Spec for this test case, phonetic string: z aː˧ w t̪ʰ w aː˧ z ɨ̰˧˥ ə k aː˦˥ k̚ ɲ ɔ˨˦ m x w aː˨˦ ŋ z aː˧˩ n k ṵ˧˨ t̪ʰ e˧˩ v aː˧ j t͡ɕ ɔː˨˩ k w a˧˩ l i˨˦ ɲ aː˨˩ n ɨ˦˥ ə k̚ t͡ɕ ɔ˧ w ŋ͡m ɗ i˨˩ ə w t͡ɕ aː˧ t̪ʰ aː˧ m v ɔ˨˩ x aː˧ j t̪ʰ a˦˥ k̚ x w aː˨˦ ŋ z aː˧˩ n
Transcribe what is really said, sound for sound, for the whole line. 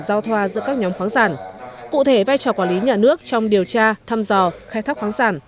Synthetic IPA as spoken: z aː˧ w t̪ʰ w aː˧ z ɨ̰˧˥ ə k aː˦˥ k̚ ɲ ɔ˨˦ m x w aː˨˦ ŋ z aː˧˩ n k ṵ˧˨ t̪ʰ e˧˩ v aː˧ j t͡ɕ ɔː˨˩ k w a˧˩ l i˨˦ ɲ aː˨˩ n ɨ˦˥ ə k̚ t͡ɕ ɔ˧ w ŋ͡m ɗ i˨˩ ə w t͡ɕ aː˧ t̪ʰ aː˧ m z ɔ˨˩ x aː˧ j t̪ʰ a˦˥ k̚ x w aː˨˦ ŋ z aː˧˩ n